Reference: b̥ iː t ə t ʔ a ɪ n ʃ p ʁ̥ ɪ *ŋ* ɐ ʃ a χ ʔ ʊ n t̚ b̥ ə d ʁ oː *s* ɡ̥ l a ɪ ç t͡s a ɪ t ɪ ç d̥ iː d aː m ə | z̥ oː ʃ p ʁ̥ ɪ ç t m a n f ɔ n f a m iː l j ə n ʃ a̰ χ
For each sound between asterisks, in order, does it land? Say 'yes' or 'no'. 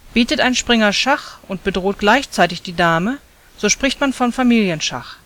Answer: yes, no

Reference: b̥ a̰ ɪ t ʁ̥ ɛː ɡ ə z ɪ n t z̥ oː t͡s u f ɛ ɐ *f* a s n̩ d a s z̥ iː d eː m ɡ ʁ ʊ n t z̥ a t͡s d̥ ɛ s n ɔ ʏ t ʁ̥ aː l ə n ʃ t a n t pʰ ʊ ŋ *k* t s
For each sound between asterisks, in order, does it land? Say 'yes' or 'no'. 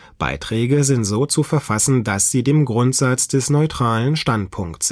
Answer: yes, yes

